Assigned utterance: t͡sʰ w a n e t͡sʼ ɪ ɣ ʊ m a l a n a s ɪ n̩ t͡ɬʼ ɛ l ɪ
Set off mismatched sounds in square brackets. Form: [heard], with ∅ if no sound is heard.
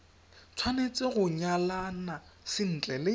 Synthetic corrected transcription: t͡sʰ w a n e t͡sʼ ɪ ɣ ʊ [ɲ] a l a n a s ɪ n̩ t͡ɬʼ ɛ l ɪ